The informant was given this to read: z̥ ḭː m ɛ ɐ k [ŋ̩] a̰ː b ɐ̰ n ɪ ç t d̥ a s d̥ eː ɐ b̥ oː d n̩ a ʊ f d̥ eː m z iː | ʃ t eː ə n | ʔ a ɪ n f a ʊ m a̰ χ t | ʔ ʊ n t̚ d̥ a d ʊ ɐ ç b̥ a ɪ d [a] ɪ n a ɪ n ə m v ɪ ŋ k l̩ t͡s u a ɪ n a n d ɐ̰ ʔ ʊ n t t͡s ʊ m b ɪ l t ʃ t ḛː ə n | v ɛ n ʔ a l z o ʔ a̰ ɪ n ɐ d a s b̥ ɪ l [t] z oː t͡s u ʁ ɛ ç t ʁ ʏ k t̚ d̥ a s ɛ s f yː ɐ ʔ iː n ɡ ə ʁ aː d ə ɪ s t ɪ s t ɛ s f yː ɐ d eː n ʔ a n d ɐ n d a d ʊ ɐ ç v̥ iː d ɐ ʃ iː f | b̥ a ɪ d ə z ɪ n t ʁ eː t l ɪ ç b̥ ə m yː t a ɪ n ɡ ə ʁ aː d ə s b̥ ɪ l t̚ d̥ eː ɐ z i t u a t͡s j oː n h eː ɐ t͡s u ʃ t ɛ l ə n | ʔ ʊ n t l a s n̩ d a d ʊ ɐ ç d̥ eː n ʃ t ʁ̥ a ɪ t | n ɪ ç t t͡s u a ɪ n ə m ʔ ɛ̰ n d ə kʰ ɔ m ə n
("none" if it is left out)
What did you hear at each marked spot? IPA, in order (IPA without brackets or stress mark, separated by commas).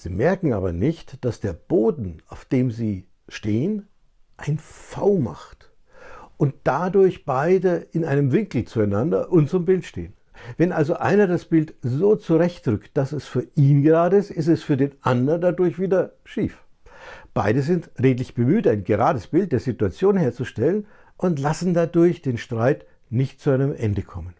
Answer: ŋ̩, ə, t